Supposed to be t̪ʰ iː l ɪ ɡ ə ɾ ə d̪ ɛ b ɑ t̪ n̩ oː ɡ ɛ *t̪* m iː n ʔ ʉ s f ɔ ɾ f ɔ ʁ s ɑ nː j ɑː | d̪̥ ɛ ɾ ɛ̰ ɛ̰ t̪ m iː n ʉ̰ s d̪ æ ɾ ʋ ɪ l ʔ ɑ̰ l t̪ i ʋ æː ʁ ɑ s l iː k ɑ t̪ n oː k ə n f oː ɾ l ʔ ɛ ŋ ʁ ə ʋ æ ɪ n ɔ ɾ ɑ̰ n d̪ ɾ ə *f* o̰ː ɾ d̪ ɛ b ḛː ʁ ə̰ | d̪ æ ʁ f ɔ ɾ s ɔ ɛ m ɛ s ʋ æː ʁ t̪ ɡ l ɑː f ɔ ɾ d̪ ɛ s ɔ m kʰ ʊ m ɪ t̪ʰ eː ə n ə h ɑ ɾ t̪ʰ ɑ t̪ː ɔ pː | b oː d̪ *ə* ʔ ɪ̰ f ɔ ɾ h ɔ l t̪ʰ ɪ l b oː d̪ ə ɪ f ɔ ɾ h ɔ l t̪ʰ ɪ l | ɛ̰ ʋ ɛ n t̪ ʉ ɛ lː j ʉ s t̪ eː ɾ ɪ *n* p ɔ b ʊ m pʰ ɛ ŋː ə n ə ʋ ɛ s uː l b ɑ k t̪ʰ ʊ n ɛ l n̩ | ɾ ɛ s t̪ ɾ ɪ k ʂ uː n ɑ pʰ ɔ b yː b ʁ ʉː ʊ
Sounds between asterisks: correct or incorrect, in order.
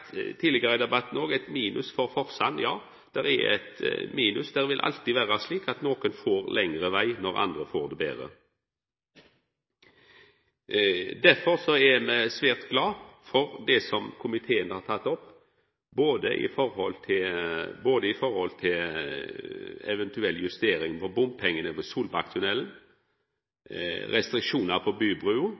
correct, correct, correct, incorrect: ŋ

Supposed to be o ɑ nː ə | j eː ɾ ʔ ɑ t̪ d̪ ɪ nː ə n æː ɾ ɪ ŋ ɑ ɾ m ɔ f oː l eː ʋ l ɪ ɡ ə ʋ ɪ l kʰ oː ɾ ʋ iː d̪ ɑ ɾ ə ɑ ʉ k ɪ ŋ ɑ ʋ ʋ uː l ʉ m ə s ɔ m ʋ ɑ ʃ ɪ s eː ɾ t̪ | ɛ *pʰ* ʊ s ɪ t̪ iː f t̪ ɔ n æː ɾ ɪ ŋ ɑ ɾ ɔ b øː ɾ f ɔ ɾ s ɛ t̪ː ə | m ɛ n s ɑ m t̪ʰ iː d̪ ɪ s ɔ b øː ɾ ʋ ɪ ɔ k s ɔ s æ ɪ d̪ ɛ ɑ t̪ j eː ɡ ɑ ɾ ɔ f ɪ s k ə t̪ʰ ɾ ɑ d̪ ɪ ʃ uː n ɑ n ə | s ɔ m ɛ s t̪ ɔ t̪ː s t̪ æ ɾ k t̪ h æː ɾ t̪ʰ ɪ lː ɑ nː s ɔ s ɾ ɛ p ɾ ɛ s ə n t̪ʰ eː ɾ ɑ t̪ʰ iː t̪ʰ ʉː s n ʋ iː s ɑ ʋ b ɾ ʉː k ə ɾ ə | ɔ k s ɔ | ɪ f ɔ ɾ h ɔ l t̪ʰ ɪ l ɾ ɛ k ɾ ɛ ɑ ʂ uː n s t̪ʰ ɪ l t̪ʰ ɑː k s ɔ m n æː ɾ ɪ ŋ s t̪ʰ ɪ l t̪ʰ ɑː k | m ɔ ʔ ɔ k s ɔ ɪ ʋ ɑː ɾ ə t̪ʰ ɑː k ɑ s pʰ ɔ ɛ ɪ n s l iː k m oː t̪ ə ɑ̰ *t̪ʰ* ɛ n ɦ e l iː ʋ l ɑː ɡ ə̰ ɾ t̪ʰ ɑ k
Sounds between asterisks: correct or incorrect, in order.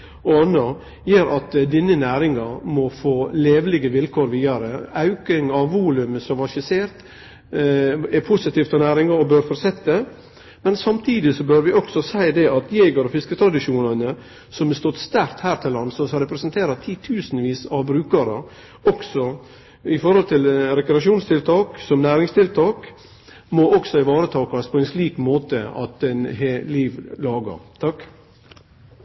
correct, incorrect: t̪

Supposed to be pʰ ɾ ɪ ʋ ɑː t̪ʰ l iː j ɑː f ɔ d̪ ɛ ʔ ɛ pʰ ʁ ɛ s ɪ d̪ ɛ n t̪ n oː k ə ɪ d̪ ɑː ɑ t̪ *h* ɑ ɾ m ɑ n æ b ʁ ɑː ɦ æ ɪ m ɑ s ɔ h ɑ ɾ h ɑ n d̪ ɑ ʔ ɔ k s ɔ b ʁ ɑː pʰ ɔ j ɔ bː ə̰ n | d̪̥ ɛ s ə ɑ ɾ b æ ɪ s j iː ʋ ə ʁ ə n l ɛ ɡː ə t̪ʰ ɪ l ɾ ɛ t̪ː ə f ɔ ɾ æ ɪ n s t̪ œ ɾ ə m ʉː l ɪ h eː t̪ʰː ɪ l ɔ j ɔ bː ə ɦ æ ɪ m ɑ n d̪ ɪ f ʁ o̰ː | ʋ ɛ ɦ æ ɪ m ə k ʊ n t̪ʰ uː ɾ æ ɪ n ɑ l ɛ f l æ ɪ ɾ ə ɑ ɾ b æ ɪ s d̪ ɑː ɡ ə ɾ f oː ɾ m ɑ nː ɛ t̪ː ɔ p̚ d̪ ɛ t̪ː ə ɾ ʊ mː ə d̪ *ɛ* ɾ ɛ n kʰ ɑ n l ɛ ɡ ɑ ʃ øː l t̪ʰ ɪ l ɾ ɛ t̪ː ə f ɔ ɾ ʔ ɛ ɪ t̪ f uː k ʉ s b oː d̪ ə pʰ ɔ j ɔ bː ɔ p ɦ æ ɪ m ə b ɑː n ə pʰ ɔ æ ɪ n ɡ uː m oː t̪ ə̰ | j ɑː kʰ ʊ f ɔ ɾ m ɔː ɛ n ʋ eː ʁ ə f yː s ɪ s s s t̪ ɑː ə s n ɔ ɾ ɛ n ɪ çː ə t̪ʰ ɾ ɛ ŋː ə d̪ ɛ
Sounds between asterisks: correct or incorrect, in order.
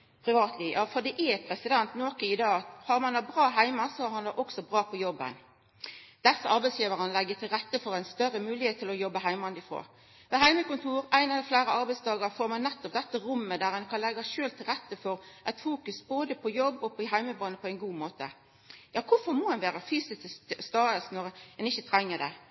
correct, incorrect: æ

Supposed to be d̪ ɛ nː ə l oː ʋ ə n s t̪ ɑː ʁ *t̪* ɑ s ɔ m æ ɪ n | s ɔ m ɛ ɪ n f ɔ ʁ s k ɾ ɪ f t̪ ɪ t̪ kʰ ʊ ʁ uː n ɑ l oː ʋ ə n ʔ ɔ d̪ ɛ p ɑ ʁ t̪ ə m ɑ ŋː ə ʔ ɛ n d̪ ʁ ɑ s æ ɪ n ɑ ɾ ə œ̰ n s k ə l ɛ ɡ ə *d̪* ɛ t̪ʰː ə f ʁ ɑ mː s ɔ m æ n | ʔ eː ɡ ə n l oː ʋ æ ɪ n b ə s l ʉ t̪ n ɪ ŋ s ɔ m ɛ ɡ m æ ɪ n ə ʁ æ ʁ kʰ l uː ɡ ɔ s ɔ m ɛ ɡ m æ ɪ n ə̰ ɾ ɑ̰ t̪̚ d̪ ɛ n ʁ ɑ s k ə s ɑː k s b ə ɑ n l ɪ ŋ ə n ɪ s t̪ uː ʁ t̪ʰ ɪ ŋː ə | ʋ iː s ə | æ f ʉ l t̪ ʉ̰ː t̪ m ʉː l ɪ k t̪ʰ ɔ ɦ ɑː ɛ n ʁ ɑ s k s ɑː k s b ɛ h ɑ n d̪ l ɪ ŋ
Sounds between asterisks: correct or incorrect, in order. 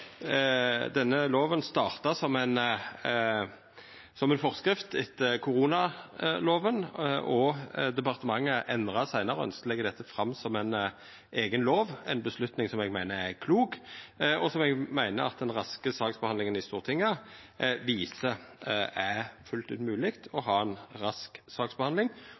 correct, correct

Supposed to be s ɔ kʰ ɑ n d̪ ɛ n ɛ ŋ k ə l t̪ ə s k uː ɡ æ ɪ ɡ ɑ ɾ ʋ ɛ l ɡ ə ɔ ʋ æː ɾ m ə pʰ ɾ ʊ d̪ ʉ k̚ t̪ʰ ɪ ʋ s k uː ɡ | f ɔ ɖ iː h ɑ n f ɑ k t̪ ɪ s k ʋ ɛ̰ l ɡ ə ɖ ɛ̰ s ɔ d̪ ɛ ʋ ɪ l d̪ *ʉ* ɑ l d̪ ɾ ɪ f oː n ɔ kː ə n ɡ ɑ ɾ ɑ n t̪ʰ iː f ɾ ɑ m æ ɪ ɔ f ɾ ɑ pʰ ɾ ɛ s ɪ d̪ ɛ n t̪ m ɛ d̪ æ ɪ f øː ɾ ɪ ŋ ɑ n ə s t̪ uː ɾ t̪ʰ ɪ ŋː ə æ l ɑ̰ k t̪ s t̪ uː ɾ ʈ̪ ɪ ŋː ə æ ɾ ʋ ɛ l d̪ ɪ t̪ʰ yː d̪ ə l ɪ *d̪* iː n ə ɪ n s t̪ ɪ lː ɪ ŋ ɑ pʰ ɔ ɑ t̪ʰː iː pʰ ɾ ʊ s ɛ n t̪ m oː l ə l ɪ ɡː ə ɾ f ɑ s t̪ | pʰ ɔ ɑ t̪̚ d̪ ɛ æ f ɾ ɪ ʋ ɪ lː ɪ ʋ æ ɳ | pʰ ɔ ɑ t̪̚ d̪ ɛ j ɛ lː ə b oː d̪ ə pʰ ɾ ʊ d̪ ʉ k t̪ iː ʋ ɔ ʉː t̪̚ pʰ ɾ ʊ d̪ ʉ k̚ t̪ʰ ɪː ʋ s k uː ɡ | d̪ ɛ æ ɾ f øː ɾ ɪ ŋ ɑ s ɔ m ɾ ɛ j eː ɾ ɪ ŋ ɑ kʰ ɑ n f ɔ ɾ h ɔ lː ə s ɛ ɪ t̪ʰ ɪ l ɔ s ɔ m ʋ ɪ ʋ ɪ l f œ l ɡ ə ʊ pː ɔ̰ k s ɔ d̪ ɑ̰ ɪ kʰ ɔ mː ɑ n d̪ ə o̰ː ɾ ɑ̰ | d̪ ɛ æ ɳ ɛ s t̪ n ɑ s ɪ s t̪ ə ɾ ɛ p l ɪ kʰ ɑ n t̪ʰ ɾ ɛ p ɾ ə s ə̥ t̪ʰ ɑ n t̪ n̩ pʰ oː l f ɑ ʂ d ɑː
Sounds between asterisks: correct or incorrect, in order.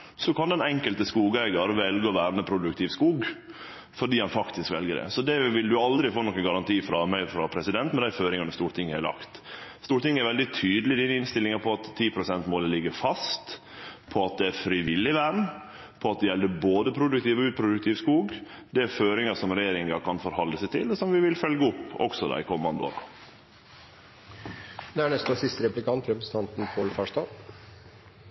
correct, correct

